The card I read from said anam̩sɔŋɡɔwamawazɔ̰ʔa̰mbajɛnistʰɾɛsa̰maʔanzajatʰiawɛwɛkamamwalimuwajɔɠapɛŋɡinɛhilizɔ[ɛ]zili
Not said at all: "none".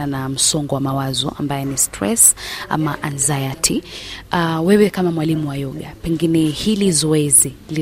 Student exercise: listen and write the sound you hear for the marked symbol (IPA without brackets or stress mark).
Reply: ɛ